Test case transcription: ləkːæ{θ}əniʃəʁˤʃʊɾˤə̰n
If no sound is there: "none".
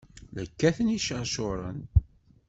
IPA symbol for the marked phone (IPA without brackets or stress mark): θ